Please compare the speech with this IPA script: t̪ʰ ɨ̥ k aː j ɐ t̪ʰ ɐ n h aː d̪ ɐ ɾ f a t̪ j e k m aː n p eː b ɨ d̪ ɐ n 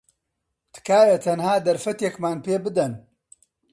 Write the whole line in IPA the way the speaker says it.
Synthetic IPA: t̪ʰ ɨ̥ k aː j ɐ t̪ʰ ɐ n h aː d̪ ɐ ɾ f ɐ t̪ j e k m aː n p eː b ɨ d̪ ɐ n